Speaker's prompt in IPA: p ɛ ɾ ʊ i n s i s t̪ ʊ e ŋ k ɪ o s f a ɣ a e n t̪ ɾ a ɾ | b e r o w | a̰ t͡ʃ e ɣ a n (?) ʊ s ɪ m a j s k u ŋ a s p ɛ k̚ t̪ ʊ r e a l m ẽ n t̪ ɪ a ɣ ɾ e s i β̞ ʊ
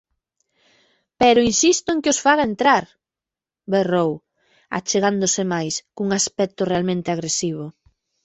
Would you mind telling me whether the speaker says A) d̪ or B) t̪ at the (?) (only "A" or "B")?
A